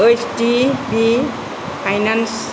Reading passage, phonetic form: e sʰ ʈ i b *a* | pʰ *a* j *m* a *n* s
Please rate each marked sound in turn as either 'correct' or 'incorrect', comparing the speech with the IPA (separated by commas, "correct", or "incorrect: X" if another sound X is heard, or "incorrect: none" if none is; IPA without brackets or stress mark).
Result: incorrect: i, correct, incorrect: n, correct